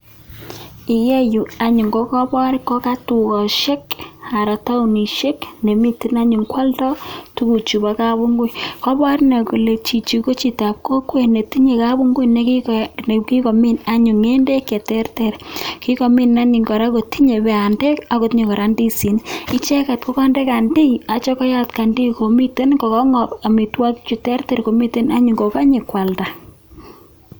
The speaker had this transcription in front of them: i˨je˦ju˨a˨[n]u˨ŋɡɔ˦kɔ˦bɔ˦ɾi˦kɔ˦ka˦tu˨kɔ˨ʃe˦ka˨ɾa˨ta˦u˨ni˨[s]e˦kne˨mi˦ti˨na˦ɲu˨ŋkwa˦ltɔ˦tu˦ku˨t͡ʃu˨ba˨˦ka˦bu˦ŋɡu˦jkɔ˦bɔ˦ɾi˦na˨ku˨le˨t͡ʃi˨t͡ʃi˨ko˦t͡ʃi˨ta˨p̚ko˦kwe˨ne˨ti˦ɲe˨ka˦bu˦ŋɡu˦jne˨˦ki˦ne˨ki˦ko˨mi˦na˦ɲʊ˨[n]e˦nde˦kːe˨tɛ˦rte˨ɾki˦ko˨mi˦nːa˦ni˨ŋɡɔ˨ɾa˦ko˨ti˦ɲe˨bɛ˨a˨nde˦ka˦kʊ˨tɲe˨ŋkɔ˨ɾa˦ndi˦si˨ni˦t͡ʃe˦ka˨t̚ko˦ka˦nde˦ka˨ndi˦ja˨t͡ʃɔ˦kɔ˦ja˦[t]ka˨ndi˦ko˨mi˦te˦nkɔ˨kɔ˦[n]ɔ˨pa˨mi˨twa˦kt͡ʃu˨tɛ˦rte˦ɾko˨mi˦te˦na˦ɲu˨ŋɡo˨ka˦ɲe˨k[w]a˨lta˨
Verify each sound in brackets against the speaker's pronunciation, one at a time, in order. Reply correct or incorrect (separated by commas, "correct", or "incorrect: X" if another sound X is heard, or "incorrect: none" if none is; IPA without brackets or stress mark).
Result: incorrect: ɲ, incorrect: ʃ, incorrect: ŋ, correct, incorrect: ŋ, correct